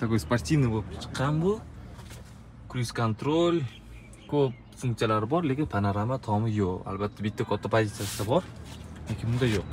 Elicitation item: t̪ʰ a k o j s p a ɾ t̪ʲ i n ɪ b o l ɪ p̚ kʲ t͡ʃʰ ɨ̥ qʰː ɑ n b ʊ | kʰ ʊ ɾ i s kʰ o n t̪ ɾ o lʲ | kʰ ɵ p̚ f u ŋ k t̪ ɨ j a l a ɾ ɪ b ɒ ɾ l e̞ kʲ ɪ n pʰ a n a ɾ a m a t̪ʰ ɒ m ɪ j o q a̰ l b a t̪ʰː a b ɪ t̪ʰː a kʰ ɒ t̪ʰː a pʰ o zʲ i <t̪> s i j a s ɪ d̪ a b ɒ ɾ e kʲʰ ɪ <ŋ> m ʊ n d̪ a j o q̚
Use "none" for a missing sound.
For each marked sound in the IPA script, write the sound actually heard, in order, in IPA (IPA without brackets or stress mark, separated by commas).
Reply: t̪, none